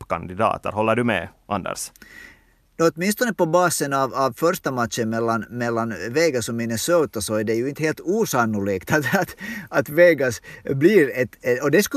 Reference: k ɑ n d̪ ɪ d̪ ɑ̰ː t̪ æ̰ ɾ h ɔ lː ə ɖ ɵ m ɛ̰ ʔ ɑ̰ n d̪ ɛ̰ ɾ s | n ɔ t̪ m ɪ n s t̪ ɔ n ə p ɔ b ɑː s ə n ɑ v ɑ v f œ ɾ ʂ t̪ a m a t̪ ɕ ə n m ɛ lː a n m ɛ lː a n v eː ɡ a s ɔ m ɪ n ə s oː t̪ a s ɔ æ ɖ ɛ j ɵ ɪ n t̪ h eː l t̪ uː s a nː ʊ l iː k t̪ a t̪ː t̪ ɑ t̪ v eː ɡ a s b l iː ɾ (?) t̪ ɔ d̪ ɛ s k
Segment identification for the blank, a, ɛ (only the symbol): ɛ